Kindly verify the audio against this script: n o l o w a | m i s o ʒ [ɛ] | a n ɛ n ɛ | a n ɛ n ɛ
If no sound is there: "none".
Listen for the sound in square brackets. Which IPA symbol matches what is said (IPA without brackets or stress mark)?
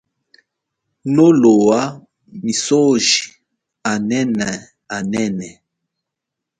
i